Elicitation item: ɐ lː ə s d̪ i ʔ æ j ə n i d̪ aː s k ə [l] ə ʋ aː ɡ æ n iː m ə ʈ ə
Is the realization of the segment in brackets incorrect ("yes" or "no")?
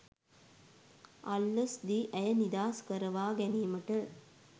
yes